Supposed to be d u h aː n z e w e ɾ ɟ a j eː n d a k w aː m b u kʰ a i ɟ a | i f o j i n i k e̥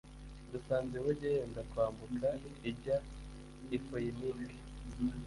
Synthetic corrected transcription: d u s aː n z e w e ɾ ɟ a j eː n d a k w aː m b u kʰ a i ɟ a | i f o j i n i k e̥